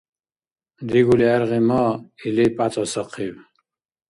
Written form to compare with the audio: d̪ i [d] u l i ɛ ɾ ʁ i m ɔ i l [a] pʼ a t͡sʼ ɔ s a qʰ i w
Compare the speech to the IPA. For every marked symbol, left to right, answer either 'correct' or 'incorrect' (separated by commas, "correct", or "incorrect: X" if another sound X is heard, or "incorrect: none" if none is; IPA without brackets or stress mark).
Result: incorrect: ɡ, incorrect: i